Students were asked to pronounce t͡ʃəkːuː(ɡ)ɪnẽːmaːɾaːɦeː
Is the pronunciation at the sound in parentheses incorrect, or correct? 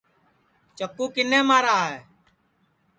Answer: incorrect